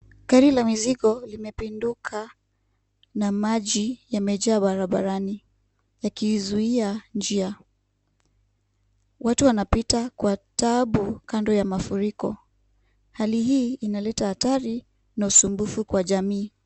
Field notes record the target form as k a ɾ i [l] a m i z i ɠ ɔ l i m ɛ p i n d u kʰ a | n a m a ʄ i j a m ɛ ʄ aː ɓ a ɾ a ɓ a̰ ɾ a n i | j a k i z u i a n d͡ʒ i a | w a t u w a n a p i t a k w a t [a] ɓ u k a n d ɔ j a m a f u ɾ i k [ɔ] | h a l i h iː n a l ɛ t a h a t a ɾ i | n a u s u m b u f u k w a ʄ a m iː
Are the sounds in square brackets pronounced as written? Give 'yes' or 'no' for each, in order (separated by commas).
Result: yes, yes, yes